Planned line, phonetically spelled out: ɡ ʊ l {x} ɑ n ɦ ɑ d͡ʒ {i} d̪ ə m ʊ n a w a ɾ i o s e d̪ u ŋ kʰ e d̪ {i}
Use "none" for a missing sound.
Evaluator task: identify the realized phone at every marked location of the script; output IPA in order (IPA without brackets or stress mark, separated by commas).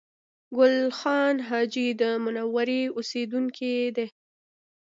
x, i, e